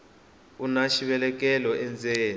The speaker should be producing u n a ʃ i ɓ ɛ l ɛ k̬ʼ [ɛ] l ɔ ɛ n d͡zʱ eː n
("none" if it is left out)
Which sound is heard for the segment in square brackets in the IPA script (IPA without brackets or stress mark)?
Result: ɛ